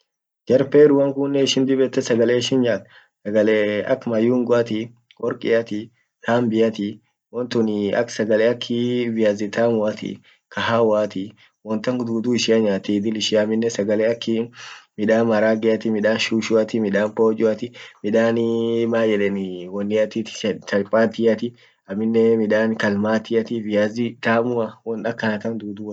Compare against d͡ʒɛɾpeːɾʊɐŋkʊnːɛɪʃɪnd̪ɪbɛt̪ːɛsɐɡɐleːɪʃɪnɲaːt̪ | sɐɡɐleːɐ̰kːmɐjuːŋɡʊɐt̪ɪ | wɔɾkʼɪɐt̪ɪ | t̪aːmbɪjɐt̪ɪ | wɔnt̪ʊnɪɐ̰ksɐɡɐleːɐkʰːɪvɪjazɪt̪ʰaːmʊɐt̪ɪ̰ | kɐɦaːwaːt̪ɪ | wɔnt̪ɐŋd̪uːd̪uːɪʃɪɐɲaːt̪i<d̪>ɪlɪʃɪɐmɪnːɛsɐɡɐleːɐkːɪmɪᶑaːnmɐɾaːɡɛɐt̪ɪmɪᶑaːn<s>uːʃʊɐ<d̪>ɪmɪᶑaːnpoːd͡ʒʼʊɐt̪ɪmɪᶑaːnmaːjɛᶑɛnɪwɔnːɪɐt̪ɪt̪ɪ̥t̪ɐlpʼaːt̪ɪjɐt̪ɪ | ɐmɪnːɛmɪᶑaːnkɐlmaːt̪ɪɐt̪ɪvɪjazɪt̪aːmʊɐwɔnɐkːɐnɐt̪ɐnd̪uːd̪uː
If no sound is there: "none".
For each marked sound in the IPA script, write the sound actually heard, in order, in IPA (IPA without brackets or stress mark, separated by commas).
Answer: d̪, ʃ, t̪